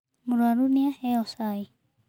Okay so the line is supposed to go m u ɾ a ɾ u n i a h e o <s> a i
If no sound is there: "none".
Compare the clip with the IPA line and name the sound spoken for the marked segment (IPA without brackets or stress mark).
s